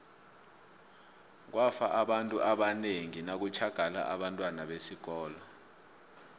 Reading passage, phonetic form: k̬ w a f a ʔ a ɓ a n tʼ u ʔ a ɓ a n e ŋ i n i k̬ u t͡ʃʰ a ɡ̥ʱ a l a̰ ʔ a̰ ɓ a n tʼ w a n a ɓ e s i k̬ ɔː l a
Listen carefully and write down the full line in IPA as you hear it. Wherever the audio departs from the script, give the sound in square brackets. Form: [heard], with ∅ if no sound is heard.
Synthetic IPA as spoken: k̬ w a f a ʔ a ɓ a n tʼ u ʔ a ɓ a n e ŋ i n [a] k̬ u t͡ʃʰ a ɡ̥ʱ a l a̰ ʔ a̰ ɓ a n tʼ w a n a ɓ e s i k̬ ɔː l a